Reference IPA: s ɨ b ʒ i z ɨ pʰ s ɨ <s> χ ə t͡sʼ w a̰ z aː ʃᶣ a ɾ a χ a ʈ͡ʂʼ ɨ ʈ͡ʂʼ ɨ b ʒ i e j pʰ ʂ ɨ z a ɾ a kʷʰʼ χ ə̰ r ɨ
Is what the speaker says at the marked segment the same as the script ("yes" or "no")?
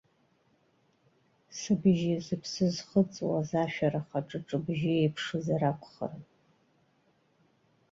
no